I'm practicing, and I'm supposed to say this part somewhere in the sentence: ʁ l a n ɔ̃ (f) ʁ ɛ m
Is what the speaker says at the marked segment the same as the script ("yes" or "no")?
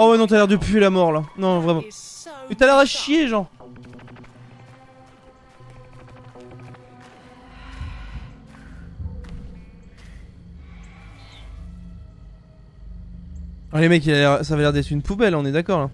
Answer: no